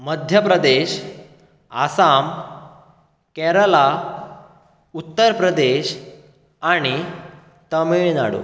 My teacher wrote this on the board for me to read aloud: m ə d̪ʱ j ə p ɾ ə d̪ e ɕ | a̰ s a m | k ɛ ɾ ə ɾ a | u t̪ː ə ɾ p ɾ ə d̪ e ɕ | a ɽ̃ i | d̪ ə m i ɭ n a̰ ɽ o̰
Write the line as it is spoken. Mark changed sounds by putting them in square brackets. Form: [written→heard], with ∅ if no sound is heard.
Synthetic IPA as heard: m ə d̪ʱ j ə p ɾ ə d̪ e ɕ | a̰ s a m | k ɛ ɾ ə [ɾ→l] a | u t̪ː ə ɾ p ɾ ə d̪ e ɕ | a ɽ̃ i | [d̪→t̪] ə m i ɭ n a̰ ɽ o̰